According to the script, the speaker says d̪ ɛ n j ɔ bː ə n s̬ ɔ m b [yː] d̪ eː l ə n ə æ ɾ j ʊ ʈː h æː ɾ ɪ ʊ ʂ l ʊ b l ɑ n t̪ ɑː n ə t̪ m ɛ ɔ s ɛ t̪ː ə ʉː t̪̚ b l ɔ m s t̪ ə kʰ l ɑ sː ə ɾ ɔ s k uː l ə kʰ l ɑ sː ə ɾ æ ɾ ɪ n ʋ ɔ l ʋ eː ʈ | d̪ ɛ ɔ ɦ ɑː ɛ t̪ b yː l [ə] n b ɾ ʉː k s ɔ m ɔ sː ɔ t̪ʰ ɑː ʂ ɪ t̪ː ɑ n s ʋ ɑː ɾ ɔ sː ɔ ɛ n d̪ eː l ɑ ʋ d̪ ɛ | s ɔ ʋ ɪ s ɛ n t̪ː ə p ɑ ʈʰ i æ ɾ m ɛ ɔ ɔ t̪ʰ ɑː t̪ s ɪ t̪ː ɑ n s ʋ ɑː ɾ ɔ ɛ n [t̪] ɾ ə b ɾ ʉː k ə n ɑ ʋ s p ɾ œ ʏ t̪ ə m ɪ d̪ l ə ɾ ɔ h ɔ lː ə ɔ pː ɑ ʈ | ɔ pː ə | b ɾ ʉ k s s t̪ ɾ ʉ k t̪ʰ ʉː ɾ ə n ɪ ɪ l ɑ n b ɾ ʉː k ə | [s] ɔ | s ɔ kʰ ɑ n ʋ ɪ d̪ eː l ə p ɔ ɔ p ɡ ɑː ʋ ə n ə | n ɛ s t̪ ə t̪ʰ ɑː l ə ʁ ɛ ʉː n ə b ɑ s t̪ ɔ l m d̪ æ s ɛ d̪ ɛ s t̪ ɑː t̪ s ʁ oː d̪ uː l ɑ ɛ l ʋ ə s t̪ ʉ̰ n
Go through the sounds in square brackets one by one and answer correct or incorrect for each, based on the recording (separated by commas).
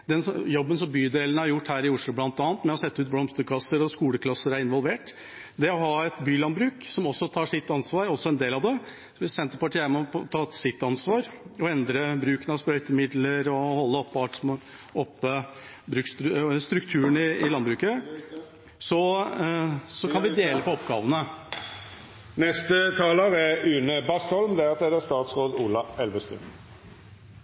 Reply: correct, incorrect, incorrect, correct